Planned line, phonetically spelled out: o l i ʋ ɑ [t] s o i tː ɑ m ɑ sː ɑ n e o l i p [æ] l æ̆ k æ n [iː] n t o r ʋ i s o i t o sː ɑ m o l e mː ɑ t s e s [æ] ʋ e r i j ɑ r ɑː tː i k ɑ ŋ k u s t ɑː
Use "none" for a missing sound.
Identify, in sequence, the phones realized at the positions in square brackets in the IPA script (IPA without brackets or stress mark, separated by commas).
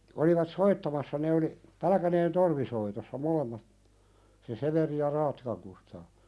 t, æ, eː, e